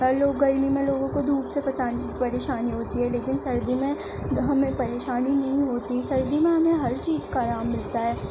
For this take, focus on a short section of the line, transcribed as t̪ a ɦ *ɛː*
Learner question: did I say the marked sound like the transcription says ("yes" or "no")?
yes